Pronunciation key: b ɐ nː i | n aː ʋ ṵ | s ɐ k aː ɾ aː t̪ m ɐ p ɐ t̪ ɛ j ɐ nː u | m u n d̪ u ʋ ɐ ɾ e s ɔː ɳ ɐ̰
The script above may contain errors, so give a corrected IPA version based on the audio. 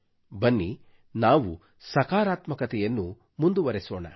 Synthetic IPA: b ɐ nː i | n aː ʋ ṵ | s ɐ k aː ɾ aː t̪ m ɐ k ɐ t̪ ɛ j ɐ nː u | m u n d̪ u ʋ ɐ ɾ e s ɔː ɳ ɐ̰